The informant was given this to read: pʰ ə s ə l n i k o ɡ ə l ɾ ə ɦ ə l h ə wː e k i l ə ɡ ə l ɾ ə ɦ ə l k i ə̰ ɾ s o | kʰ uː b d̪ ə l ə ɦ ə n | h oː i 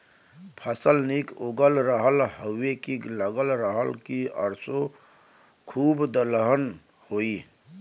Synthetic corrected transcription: pʰ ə s ə l n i k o ɡ ə l ɾ ə ɦ ə l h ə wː e k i l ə ɡ ə l ɾ ə ɦ ə l k i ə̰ ɾ s o | kʰ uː b d̪ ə l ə ɦ ə n | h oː i

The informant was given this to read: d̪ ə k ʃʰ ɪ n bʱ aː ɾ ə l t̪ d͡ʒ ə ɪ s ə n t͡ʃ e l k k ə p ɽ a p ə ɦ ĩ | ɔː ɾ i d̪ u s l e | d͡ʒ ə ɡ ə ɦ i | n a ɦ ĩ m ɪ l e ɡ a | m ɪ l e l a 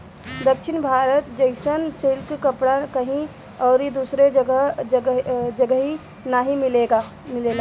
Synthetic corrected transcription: d̪ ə k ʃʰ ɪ n bʱ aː ɾ ə t̪ d͡ʒ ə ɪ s ə n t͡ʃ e l k k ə p ɽ a k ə ɦ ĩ | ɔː ɾ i d̪ u s ɾ e | d͡ʒ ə ɡ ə ɦ i | n a ɦ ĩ m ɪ l e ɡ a | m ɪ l e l a

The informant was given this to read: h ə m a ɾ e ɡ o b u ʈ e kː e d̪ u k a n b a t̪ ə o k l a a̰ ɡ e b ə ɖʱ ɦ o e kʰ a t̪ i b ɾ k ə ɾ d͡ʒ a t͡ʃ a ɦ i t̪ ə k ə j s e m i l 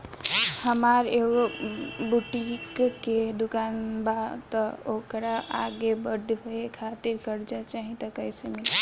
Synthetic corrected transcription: h ə m a ɾ e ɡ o b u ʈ i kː e d̪ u k a n b a t̪ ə o k ɾ a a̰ ɡ e b ə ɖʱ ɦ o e kʰ a t̪ i ɾ k ə ɾ d͡ʒ a t͡ʃ a ɦ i t̪ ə k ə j s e m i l

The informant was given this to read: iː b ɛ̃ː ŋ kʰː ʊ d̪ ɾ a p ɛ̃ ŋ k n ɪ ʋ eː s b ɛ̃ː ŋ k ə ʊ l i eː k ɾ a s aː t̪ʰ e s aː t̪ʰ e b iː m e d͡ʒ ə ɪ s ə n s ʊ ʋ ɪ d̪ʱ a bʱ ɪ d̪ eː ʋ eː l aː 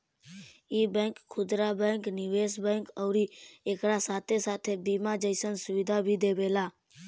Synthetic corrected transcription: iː b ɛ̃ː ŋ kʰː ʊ d̪ ɾ a b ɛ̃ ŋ k n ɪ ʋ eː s b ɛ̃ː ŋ k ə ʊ ɾ i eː k ɾ a s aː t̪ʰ e s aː t̪ʰ e b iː m a d͡ʒ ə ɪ s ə n s ʊ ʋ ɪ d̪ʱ a bʱ i d̪ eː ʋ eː l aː

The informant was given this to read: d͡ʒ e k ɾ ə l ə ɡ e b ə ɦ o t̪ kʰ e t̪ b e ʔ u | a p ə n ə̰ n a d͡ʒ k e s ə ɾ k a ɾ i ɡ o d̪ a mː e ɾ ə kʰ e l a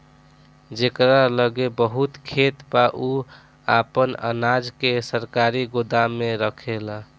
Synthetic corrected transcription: d͡ʒ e k ɾ a l ə ɡ e b ə ɦ u t̪ kʰ e t̪ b a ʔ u | a p ə n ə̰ n a d͡ʒ k e s ə ɾ k a ɾ i ɡ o d̪ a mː e ɾ ə kʰ e l a

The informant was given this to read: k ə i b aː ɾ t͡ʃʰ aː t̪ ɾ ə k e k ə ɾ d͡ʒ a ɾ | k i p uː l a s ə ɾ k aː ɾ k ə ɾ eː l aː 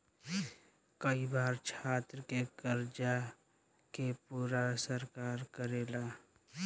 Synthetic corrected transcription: k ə i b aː ɾ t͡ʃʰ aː t̪ ɾ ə k e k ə ɾ d͡ʒ a | k e p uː ɾ a s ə ɾ k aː ɾ k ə ɾ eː l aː

